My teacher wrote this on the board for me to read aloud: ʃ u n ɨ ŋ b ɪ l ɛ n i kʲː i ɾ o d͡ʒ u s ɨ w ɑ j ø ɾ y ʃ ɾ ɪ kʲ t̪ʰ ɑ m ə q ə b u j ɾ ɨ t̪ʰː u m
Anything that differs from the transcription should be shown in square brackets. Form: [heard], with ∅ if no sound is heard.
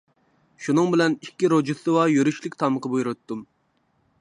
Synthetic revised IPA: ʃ u n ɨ ŋ b ɪ l ɛ n i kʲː i ɾ o d͡ʒ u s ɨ w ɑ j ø ɾ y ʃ [l] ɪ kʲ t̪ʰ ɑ m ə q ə b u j ɾ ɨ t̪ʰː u m